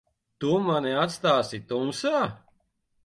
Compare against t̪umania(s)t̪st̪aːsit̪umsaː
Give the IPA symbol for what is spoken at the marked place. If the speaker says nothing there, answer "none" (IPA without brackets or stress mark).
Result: none